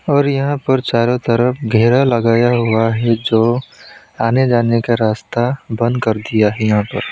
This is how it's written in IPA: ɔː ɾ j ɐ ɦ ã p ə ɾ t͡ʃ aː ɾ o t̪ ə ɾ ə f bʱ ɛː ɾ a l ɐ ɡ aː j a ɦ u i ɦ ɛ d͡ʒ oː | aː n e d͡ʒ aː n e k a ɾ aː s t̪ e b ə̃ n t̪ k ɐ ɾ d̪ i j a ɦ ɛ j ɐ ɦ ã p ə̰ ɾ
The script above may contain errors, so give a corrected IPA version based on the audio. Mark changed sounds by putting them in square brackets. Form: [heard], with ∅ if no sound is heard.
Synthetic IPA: ɔː ɾ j ɐ ɦ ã p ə ɾ t͡ʃ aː ɾ o t̪ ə ɾ ə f [ɡʱ] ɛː ɾ a l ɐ ɡ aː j a ɦ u [a] ɦ ɛ d͡ʒ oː | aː n e d͡ʒ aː n e k a ɾ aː s t̪ [a] b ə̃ n [d̪] k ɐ ɾ d̪ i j a ɦ ɛ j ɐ ɦ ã p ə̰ ɾ